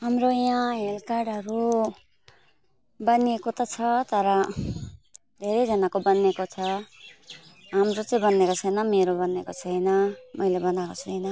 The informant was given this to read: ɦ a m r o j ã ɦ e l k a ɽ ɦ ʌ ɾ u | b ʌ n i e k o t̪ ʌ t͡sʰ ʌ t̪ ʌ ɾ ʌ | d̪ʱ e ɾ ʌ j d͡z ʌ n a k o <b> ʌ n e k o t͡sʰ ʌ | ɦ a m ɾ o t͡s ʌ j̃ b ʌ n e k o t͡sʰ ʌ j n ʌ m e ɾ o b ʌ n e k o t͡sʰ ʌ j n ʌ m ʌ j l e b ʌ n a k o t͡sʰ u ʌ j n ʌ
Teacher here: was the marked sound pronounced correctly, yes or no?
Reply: yes